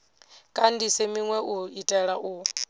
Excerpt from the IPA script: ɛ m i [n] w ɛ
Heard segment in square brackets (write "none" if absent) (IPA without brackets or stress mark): ŋ